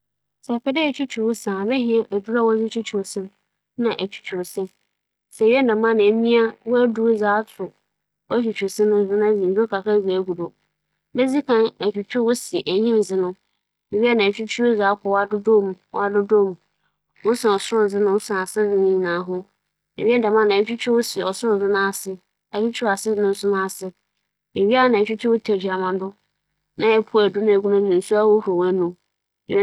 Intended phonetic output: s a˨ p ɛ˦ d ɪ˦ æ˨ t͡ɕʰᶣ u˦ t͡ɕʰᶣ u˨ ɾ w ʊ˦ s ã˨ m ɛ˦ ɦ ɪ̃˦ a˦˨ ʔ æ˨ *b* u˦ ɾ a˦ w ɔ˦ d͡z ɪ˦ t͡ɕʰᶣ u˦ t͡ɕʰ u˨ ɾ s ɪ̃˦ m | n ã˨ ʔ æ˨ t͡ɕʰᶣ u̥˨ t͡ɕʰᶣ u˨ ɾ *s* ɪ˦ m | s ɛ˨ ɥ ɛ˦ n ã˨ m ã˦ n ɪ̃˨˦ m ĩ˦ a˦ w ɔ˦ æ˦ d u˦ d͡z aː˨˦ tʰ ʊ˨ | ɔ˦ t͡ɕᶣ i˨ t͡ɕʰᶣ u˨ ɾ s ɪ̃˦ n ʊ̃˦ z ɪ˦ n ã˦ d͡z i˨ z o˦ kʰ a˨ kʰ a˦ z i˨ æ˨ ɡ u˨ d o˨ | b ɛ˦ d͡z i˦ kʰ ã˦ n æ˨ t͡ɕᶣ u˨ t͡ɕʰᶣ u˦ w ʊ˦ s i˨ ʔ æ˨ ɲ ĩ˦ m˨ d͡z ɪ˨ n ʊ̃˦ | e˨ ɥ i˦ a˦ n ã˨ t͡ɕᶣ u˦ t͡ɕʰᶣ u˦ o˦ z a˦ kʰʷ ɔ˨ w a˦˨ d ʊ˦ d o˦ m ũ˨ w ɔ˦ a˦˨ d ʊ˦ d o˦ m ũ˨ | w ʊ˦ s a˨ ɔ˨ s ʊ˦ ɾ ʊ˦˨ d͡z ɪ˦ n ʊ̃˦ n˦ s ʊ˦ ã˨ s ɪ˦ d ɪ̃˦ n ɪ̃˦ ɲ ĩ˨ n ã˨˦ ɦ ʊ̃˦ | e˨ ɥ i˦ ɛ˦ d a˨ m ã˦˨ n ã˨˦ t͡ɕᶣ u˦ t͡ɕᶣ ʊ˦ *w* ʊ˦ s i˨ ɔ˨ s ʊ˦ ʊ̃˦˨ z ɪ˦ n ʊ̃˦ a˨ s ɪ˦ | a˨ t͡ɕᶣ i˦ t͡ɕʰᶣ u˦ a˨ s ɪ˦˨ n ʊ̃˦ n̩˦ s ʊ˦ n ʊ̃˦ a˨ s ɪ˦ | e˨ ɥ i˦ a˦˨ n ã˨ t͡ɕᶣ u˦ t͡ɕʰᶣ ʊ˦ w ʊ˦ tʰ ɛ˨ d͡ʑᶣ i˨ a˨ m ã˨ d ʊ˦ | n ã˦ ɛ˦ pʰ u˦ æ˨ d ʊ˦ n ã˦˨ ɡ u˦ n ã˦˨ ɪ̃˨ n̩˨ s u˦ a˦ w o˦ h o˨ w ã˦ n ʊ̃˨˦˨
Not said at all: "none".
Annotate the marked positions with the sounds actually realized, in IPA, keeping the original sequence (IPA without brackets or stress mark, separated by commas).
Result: d, s, w